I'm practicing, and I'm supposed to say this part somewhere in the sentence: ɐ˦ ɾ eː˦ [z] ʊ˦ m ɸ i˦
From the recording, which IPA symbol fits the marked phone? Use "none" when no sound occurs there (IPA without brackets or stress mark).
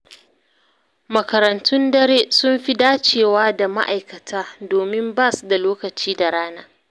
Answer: s